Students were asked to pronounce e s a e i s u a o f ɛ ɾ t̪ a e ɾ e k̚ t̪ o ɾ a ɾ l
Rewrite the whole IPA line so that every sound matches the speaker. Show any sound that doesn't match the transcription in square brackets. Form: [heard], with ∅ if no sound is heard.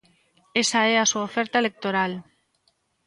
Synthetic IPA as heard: e s a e [a] s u a o f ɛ ɾ t̪ a e [l] e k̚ t̪ o ɾ a [∅] l